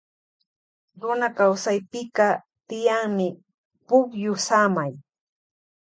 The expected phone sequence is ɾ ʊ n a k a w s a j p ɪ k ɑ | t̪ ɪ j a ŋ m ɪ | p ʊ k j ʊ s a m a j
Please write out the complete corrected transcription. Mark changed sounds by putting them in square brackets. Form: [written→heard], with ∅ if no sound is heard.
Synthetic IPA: ɾ ʊ n a k a w s a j p ɪ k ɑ | t̪ ɪ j a ŋ m ɪ | p ʊ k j ʊ s a m a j